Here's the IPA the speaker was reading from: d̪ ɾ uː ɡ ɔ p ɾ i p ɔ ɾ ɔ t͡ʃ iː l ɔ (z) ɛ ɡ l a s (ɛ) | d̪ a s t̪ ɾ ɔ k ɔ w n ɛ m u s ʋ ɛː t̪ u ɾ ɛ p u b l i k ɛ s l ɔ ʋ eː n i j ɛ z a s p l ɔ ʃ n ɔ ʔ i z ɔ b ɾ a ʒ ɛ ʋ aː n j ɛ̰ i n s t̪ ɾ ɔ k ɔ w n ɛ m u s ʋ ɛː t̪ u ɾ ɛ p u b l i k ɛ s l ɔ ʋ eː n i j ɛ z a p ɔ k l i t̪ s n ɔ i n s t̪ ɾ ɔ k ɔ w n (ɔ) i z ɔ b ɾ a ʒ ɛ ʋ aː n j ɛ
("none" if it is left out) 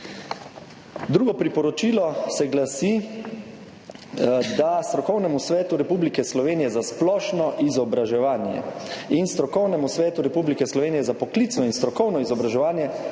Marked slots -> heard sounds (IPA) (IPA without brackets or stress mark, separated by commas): s, i, ɔ